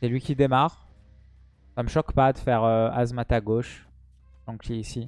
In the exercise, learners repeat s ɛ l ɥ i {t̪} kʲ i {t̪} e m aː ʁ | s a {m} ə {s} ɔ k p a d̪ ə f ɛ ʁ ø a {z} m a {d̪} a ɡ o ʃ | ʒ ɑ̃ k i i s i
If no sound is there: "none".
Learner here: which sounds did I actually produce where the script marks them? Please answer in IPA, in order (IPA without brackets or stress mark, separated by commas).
none, d̪, m, ʃ, z, t̪